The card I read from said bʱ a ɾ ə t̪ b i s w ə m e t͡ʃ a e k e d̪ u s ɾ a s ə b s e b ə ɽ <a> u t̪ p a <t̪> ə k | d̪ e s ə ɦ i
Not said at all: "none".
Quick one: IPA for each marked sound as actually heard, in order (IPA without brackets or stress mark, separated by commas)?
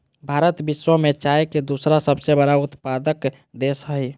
a, d̪